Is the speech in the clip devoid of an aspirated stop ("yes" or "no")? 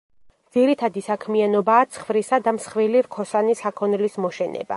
no